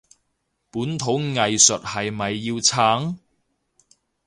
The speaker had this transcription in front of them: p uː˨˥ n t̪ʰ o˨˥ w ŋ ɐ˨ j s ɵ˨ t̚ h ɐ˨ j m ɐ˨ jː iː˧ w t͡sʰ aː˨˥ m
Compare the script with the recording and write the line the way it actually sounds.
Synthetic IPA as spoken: p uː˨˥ n t̪ʰ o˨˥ w ŋ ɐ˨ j s ɵ˨ t̚ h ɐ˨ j m ɐ˨ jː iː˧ w t͡sʰ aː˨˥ ŋ

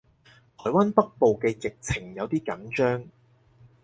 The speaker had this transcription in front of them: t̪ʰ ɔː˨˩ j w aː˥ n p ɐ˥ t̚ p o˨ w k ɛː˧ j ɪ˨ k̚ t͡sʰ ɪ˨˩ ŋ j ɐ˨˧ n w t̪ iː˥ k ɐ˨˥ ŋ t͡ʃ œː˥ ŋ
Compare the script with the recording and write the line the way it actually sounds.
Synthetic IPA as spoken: t̪ʰ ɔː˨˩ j w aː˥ n p ɐ˥ k̚ p o˨ w k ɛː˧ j ɪ˨ k̚ t͡sʰ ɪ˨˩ ŋ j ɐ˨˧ w t̪ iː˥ k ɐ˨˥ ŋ t͡ʃ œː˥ ŋ

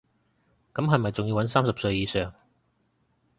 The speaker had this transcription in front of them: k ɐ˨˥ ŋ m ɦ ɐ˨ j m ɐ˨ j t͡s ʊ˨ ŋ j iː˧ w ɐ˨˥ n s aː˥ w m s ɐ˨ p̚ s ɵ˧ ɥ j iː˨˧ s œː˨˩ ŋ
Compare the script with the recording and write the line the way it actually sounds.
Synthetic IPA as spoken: k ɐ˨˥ m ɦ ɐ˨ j m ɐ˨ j t͡s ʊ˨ ŋ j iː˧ w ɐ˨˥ n s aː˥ m s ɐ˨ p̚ s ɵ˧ ɥ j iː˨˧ s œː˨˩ ŋ

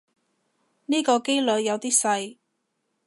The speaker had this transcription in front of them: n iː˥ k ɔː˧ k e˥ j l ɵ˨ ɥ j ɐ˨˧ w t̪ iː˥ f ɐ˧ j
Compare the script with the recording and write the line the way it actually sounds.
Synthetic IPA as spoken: n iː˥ k ɔː˧ k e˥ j l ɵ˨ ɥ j ɐ˨˧ w t̪ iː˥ s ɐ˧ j

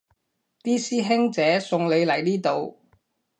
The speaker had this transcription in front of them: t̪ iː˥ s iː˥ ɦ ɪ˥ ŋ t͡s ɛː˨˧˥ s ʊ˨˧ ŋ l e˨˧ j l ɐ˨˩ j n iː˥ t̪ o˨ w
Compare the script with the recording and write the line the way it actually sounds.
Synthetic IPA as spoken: t̪ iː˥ s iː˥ ɦ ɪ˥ ŋ t͡s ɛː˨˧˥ s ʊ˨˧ ŋ l e˨˧ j l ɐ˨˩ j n iː˥ t̪ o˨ w

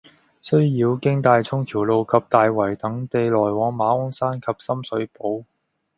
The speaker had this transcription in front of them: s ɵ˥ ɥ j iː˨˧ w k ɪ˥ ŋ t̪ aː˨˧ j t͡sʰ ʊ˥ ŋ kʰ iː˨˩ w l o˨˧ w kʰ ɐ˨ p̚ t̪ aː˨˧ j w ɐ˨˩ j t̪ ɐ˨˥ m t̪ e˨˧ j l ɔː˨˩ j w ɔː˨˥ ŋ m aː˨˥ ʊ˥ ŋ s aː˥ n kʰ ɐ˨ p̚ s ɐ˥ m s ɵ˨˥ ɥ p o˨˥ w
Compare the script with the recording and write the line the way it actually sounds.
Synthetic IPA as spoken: s ɵ˥ ɥ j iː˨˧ w k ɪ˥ ŋ t̪ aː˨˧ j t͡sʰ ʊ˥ ŋ kʰ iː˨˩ w l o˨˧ w kʰ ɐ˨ p̚ t̪ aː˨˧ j w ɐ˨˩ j t̪ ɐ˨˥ ŋ t̪ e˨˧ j l ɔː˨˩ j w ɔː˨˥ ŋ m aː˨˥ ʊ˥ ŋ s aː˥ n kʰ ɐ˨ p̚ s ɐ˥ m s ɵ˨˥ ɥ p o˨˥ w

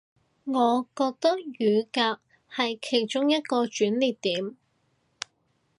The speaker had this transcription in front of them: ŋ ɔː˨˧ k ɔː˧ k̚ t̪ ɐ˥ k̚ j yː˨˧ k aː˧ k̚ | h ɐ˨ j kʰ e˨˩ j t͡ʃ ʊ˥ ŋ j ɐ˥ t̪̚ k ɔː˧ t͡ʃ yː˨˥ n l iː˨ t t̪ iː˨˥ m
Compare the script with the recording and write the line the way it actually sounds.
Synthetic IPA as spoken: ŋ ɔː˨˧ k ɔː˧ k̚ t̪ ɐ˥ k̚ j yː˨˧ k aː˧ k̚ | h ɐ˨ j kʰ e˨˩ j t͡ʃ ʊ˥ ŋ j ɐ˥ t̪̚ k ɔː˧ t͡ʃ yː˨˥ n l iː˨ t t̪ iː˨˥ m

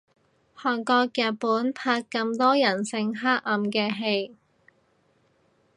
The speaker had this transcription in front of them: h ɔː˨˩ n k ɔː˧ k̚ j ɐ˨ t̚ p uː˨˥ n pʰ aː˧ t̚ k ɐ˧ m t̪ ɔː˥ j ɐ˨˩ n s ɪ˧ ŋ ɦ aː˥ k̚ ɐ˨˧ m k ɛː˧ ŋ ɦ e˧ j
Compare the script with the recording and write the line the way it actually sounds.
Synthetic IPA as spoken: h ɔː˨˩ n k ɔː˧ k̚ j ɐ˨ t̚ p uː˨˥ n pʰ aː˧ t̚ k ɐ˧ m t̪ ɔː˥ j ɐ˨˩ n s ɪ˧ ŋ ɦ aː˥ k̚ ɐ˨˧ m k ɛː˧ ɦ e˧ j

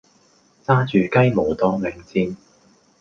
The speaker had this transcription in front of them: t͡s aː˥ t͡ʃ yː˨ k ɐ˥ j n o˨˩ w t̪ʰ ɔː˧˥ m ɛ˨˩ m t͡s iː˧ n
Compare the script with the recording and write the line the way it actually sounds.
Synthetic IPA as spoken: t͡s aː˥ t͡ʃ yː˨ k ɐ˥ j m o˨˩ w t̪ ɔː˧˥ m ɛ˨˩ ŋ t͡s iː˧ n

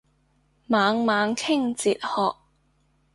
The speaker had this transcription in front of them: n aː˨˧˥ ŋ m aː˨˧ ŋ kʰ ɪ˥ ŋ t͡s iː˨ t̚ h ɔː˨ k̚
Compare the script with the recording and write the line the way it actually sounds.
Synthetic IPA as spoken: m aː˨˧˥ ŋ m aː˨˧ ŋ kʰ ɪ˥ ŋ t͡s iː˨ t̚ h ɔː˨ k̚

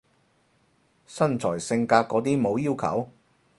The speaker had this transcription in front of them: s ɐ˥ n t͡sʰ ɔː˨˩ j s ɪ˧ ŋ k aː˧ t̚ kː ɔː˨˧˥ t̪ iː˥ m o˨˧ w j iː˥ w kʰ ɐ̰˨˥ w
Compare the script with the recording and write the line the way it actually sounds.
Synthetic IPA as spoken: s ɐ˥ n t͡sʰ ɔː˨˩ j s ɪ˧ ŋ k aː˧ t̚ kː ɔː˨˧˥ t̪ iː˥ m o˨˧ w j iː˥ w kʰ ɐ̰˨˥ w

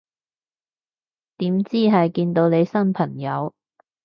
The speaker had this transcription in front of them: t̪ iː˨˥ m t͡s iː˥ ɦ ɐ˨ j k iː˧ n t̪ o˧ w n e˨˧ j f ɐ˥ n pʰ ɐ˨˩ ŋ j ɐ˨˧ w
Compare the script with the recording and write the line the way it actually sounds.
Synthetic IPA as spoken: t̪ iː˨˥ m t͡s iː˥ ɦ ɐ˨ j k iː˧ n t̪ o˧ w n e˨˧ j s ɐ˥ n pʰ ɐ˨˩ ŋ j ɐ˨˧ w

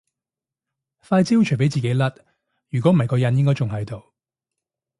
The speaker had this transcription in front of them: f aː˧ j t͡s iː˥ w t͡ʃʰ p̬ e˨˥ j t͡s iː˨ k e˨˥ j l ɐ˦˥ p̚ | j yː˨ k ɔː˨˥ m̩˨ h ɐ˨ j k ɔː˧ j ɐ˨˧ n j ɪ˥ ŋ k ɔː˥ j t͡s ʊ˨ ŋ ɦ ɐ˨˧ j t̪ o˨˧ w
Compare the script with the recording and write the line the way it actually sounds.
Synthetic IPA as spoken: f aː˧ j t͡s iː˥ w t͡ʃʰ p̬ e˨˥ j t͡s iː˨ k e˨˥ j l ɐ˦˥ t̚ | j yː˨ k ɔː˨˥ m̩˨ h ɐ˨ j k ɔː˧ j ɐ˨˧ n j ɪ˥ ŋ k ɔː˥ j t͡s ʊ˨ ŋ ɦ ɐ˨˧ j t̪ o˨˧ w

